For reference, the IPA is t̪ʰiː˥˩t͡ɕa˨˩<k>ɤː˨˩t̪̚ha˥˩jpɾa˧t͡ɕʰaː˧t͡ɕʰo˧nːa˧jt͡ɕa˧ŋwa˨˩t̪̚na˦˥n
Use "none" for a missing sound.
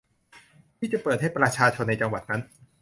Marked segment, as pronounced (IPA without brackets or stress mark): p